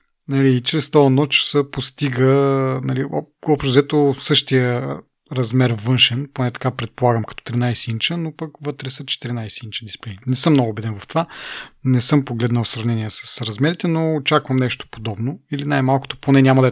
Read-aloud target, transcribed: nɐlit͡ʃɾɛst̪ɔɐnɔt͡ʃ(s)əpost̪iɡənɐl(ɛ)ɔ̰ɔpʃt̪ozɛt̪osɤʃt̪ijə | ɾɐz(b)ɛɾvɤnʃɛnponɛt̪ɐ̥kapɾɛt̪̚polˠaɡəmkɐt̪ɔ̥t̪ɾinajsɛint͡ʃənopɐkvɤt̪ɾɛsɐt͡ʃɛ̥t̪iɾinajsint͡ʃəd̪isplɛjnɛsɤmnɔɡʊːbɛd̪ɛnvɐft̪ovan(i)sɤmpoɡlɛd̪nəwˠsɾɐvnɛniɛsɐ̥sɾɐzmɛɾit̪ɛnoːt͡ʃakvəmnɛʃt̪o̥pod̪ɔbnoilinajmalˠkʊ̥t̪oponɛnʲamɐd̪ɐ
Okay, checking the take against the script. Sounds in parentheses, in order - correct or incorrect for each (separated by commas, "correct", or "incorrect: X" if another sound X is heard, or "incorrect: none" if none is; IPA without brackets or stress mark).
correct, incorrect: i, incorrect: m, incorrect: ɛ